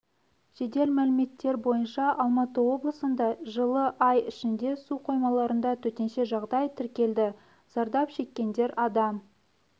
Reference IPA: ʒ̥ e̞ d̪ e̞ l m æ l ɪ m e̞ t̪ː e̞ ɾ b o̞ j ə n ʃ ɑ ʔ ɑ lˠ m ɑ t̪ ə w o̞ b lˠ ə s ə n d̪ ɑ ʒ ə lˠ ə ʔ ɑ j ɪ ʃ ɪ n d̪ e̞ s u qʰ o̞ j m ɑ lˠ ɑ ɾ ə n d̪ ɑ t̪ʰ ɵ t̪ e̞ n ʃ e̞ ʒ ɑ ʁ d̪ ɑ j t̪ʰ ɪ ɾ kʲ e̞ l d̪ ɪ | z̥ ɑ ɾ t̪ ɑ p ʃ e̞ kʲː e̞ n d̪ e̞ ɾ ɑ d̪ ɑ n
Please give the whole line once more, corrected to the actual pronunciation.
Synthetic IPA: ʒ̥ e̞ d̪ e̞ l m æ l ɪ m e̞ t̪ː e̞ ɾ b o̞ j ə n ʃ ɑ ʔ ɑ lˠ m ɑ t̪ ə w o̞ b lˠ ə s ə n d̪ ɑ ʒ ə lˠ ə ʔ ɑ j ɪ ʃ ɪ n d̪ e̞ s u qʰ o̞ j m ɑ lˠ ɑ ɾ ə n d̪ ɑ t̪ʰ ɵ t̪ e̞ n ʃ e̞ ʒ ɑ ʁ d̪ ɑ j t̪ʰ ɪ ɾ kʲ e̞ l d̪ ɪ | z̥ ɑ ɾ d̪ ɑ p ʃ e̞ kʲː e̞ n d̪ e̞ ɾ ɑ d̪ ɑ m